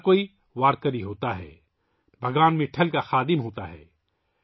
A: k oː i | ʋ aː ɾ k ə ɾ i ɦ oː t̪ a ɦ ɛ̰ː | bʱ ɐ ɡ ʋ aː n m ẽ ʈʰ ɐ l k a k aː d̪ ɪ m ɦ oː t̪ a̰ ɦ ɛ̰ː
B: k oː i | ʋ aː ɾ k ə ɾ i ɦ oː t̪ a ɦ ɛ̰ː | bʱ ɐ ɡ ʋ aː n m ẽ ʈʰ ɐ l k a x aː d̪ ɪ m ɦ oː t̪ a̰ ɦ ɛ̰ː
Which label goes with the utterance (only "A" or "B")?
B